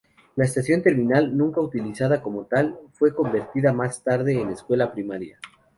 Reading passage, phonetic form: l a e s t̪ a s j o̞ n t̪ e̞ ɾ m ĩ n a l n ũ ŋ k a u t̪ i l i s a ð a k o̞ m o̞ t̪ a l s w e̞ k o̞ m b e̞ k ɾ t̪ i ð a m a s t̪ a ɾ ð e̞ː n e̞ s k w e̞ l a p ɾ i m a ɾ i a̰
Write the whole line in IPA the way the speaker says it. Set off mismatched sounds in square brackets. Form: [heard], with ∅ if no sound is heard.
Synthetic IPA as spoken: l a e s t̪ a s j o̞ n t̪ e̞ ɾ m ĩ n a l n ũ ŋ k a u t̪ i l i s a ð a k o̞ m o̞ t̪ a l [f] w e̞ k o̞ m b e̞ [∅] ɾ t̪ i ð a m a s t̪ a ɾ ð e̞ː n e̞ s k w e̞ l a p ɾ i m a ɾ [j] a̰